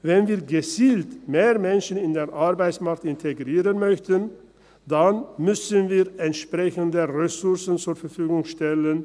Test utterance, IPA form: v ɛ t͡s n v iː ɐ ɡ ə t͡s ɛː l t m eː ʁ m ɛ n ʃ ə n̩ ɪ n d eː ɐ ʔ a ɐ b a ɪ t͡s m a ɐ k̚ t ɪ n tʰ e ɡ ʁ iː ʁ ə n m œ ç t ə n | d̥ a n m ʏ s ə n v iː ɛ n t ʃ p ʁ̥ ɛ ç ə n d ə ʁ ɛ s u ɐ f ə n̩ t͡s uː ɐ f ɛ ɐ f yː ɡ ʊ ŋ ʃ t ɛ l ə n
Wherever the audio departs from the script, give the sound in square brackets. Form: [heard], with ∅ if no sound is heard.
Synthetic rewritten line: v ɛ [∅] n v iː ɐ ɡ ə t͡s [iː] l t m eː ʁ m ɛ n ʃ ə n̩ ɪ n d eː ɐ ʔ a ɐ b a ɪ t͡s m a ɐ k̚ t ɪ n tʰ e ɡ ʁ iː ʁ ə n m œ ç t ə n | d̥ a n m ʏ s ə n v iː ɛ n t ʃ p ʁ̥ ɛ ç ə n d ə ʁ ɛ s [ʊ] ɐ [s] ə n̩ t͡s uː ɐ f ɛ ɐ f yː ɡ ʊ ŋ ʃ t ɛ l ə n